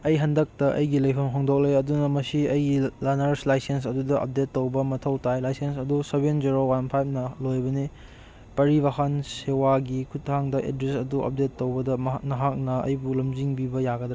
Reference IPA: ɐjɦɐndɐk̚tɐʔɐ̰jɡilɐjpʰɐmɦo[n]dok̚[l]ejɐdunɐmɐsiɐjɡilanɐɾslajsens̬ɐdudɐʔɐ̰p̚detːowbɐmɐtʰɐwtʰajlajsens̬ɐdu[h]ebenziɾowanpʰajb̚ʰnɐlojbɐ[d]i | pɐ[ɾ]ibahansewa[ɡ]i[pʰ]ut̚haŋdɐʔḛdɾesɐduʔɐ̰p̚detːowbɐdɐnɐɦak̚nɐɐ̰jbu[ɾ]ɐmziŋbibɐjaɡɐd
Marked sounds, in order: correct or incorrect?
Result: incorrect, correct, incorrect, incorrect, correct, correct, incorrect, incorrect

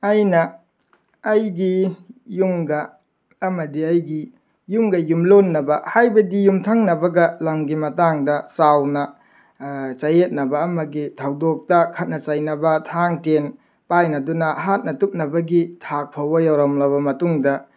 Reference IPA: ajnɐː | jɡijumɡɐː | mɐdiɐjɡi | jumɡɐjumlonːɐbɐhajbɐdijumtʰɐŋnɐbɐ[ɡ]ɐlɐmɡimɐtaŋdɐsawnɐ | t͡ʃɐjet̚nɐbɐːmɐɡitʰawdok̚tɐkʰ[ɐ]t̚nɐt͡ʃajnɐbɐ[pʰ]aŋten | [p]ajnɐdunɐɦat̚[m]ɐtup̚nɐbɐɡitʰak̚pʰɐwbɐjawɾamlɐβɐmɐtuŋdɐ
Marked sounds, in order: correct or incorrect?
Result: correct, correct, incorrect, correct, incorrect

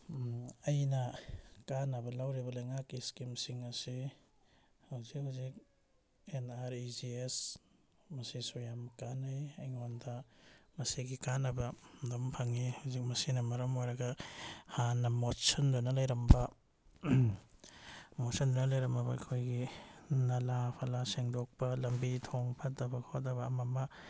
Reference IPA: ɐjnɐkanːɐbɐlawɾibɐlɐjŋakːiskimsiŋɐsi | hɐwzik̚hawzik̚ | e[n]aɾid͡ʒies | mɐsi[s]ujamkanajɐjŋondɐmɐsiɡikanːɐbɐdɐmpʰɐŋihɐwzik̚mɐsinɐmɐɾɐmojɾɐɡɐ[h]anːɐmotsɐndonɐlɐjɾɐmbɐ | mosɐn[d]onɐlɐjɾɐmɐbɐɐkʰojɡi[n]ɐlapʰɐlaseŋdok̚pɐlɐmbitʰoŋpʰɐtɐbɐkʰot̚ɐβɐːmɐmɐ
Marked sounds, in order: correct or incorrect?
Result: correct, correct, correct, correct, correct

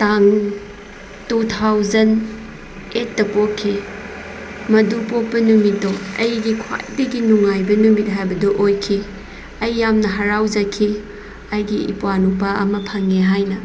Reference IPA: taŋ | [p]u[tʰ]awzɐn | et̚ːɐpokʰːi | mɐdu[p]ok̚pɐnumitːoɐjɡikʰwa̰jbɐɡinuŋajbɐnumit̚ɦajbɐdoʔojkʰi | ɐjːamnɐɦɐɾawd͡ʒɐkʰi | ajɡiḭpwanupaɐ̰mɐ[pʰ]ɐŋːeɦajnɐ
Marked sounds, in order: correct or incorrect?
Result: incorrect, correct, correct, correct

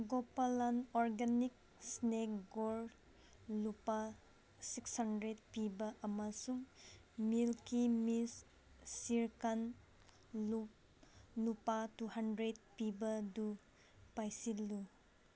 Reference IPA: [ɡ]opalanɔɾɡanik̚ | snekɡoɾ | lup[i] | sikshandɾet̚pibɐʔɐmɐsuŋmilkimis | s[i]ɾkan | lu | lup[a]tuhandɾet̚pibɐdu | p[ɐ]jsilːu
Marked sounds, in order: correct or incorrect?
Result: correct, incorrect, correct, correct, incorrect

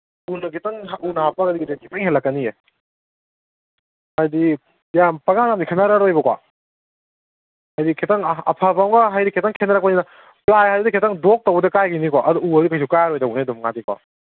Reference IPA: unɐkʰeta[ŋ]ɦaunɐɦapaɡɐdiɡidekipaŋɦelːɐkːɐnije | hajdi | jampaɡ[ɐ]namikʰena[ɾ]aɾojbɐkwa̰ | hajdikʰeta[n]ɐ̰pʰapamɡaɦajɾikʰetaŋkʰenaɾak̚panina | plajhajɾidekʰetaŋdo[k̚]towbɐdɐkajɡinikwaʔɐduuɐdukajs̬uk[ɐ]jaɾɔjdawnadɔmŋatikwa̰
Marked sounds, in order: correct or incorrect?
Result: correct, incorrect, correct, incorrect, correct, incorrect

